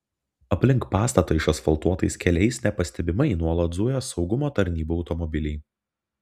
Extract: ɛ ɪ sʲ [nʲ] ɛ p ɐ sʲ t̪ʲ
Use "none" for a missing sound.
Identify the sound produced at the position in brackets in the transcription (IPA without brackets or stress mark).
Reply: nʲ